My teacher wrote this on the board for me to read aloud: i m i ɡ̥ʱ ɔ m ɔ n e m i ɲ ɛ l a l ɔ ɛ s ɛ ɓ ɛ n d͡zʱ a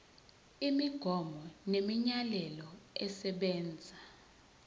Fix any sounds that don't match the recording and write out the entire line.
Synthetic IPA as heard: i m i ɡ̥ʱ ɔ m ɔ n e m i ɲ a l ɛ l ɔ ɛ s ɛ ɓ ɛː n d͡zʱ a